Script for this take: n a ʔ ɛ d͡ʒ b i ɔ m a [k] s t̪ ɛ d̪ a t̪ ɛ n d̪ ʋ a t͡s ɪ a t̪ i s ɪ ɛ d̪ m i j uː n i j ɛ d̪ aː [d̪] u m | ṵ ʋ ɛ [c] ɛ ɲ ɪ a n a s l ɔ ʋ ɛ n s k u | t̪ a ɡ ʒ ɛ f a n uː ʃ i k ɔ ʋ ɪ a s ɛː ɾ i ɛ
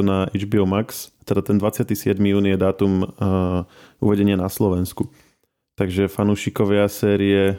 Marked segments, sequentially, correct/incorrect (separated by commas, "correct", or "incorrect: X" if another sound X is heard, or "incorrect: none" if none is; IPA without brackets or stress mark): correct, incorrect: t̪, incorrect: ɟ